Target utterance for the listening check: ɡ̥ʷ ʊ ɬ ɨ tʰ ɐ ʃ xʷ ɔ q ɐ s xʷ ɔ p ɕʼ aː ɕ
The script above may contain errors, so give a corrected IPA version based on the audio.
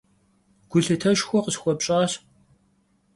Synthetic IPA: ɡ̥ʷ ʊ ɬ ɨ tʰ ɐ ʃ xʷ ɔ q ə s xʷ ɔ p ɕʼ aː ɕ